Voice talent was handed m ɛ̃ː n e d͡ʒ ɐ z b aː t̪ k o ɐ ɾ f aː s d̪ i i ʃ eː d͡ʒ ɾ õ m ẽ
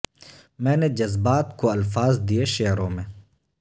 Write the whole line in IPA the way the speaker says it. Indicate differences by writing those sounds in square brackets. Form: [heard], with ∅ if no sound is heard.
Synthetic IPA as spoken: m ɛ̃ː n e d͡ʒ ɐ z b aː t̪ k o ɐ [l] f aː [z] d̪ i [e] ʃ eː [∅] ɾ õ m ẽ